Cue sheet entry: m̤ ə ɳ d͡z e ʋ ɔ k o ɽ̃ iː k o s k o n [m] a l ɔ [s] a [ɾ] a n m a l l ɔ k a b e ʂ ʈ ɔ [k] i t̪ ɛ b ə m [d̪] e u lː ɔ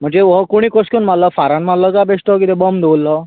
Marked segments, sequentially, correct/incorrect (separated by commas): correct, incorrect, correct, correct, correct